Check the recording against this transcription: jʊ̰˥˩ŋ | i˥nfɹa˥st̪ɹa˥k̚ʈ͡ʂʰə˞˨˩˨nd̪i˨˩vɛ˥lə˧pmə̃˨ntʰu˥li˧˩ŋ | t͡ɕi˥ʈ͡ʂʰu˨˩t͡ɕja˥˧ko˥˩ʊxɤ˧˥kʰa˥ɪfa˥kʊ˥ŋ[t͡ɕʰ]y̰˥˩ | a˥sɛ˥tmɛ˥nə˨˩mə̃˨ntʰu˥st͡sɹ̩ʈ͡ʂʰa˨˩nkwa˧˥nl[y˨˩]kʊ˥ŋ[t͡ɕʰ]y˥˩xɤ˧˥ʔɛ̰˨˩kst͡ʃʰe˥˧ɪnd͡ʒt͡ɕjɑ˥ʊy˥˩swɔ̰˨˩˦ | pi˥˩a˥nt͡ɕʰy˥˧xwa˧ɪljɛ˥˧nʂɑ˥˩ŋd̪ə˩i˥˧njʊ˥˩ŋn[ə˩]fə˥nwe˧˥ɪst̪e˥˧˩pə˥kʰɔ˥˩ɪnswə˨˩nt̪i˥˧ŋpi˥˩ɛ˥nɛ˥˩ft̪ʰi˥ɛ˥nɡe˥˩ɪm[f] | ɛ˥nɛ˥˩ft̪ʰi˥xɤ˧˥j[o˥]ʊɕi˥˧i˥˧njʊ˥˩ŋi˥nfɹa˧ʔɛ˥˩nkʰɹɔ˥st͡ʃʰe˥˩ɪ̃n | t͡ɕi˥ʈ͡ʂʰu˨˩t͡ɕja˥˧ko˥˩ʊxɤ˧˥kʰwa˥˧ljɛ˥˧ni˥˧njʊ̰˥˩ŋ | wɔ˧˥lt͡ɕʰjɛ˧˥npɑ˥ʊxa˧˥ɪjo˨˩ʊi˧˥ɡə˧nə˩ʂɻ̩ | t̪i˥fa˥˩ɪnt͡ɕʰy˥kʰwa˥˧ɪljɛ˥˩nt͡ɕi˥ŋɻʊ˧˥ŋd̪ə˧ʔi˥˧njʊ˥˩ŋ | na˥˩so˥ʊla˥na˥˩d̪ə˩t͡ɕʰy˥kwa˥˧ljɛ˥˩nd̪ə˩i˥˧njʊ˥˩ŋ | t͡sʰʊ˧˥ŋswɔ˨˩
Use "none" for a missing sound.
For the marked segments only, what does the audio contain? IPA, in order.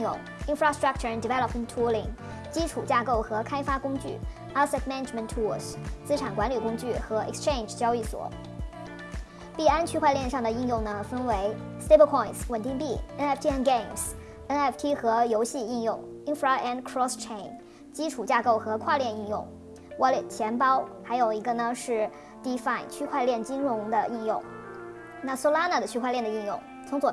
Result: t͡ɕ, y˨˩, t͡ɕ, ə˩, s, o˧˥

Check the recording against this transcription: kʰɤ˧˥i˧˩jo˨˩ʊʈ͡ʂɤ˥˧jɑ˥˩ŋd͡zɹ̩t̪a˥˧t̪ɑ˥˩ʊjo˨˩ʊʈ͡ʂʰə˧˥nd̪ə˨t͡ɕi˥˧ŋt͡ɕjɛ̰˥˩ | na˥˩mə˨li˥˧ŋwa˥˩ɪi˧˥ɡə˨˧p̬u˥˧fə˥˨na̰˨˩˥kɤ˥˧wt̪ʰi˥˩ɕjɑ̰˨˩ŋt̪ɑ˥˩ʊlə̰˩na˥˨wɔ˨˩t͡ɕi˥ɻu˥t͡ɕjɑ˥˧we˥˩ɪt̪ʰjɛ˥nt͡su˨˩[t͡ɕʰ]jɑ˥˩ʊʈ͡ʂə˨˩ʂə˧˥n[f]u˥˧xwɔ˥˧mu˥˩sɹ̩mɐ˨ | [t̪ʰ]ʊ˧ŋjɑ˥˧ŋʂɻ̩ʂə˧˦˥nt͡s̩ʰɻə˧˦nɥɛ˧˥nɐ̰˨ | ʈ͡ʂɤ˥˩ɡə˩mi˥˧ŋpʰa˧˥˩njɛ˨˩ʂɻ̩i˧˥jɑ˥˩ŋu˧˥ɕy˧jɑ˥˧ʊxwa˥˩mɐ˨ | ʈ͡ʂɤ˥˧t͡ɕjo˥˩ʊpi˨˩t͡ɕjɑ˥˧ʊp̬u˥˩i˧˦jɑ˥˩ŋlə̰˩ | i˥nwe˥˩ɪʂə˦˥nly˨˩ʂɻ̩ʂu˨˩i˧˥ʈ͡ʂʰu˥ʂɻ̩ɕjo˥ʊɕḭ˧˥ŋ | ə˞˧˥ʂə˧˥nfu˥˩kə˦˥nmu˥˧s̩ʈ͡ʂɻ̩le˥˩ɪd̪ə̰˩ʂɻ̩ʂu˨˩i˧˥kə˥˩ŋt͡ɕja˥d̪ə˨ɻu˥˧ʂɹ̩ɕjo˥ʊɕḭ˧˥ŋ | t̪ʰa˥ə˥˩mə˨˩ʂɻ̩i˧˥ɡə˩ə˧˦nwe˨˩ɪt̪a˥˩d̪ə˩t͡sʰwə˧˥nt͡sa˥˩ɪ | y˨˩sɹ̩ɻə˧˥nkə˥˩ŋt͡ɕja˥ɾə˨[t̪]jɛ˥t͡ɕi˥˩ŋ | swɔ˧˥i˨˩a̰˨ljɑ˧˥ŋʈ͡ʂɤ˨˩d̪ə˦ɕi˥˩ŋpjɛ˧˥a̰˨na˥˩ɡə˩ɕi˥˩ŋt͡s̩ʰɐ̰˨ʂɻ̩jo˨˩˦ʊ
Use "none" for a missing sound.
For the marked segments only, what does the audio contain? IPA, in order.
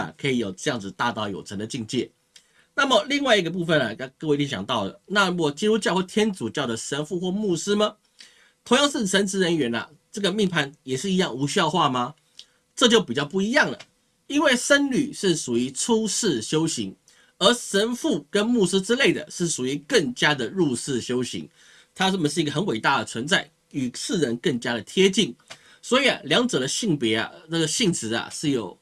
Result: t͡ɕ, f, t̪ʰ, t̪ʰ

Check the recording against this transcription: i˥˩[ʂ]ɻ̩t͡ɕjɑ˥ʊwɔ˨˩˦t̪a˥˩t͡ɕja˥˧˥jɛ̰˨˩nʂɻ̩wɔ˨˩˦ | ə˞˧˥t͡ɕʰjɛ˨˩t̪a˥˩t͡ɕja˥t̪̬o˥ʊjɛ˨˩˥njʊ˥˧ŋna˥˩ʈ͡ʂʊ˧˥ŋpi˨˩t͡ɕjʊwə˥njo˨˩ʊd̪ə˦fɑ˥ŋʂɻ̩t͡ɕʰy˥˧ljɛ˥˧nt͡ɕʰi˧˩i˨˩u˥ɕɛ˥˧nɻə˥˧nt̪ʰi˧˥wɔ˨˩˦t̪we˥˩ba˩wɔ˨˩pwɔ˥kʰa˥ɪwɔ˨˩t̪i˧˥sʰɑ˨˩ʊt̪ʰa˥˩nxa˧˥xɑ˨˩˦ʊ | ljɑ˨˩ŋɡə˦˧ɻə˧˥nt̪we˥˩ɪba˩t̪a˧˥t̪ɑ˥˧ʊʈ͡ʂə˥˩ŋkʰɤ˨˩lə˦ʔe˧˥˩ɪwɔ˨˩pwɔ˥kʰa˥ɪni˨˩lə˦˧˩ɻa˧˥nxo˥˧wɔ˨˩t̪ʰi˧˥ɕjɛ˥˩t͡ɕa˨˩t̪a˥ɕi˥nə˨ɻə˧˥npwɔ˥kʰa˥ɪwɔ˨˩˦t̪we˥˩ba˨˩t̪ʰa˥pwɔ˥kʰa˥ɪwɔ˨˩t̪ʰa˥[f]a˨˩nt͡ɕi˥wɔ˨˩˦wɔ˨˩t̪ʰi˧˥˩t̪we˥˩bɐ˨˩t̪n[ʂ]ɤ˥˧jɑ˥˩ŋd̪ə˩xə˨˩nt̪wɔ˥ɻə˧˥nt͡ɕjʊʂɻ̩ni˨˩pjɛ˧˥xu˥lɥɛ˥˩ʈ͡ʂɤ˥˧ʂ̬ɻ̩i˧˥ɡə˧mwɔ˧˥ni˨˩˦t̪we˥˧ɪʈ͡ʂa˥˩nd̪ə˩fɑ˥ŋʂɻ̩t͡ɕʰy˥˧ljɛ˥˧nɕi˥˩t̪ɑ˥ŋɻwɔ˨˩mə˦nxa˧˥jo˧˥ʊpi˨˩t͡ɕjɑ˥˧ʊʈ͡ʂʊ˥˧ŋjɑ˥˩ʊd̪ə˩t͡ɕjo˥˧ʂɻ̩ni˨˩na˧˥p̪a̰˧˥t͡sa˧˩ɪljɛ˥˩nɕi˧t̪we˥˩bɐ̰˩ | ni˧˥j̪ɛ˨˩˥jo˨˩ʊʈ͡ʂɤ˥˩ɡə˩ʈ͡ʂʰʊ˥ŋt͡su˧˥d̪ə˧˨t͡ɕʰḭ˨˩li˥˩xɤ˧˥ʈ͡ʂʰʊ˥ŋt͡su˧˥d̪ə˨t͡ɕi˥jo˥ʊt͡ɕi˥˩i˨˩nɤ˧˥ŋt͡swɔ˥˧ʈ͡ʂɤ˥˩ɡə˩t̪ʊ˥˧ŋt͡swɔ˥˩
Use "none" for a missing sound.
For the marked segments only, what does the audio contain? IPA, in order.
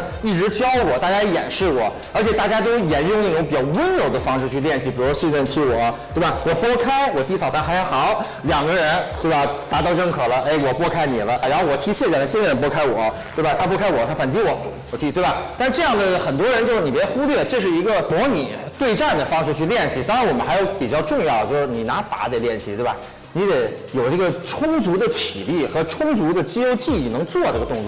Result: ʈ͡ʂ, f, ʈ͡ʂ

